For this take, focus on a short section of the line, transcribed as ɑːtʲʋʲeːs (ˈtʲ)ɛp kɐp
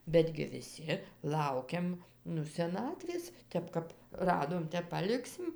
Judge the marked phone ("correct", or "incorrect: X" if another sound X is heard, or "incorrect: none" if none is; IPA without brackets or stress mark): correct